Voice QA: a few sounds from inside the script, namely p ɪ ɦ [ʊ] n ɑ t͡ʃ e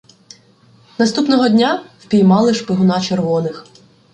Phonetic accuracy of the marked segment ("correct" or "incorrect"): correct